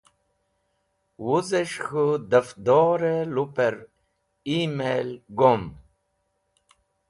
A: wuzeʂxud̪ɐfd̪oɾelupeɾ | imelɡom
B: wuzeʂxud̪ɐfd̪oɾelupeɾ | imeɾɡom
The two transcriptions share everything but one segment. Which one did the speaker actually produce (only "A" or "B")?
A